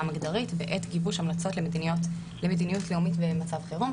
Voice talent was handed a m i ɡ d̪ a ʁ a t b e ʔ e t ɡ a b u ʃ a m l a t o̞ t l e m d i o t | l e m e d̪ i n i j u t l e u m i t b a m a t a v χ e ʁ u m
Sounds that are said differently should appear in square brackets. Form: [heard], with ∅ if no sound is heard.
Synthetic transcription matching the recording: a m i ɡ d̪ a ʁ [i] t b e ʔ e t ɡ [i] b u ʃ a m l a [t͡s] o̞ t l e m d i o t | l e m e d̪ i n i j u t l e u m i t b [e] m a [t͡s] a v χ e ʁ u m